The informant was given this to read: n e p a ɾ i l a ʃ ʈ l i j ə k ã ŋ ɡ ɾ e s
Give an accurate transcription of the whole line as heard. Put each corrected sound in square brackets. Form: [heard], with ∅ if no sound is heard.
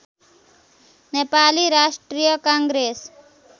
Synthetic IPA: n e p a [l] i [ɾ] a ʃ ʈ [ɾ] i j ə k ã ŋ ɡ ɾ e s